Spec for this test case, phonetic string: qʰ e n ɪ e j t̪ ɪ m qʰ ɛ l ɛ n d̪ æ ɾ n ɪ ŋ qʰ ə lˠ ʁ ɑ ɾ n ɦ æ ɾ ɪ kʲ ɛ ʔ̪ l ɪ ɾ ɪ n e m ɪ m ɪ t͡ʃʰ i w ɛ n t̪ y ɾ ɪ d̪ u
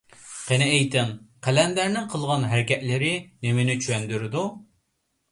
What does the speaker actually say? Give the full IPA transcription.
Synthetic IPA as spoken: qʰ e n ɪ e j t̪ ɪ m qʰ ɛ l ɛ n d̪ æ ɾ n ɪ ŋ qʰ ə lˠ ʁ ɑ n ɦ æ ɾ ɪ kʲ ɛ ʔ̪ l ɪ ɾ ɪ n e m ɪ n ɪ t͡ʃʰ y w ɛ n d̪ y ɾ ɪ d̪ u